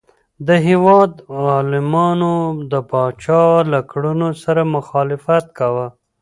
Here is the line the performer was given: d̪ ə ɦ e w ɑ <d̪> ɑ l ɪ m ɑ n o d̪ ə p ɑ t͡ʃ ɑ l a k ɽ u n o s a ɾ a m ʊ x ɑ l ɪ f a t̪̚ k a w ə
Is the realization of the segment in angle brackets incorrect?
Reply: no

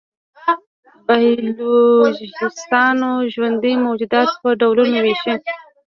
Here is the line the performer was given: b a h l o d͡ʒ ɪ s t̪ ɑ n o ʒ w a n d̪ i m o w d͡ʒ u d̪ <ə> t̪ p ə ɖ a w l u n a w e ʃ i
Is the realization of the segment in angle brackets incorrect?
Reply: yes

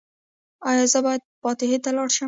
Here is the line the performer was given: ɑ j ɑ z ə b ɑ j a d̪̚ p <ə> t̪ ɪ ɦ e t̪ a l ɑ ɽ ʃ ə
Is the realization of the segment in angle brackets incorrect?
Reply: yes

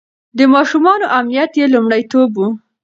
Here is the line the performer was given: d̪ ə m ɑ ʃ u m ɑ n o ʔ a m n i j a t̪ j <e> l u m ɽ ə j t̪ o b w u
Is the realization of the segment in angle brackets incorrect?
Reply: no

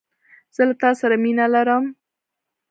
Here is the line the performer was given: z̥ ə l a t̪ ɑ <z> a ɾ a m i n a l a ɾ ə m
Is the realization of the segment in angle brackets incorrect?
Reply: yes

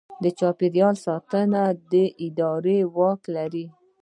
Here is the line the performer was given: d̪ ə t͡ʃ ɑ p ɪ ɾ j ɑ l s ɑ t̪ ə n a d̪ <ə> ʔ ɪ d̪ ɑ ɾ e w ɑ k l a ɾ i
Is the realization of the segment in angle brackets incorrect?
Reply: no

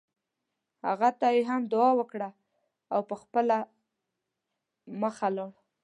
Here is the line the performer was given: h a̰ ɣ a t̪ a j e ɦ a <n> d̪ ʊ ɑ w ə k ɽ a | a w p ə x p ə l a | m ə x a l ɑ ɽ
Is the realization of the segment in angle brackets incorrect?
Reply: yes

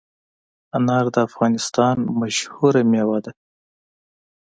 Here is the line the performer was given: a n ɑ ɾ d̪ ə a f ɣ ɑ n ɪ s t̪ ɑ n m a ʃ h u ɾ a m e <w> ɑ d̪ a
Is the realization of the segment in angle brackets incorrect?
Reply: no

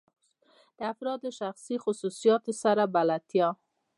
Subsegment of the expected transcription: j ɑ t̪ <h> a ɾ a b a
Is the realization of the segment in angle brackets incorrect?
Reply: yes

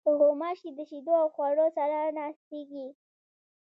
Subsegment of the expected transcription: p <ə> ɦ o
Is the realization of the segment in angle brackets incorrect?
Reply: no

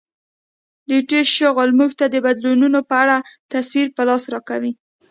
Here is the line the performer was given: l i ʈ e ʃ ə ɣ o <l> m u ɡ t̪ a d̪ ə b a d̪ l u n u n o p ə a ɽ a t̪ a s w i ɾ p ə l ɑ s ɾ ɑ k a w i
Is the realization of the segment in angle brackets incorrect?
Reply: no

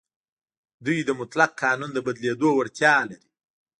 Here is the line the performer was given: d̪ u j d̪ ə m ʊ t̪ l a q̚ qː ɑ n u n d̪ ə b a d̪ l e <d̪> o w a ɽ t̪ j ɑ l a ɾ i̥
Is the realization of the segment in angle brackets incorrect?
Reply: no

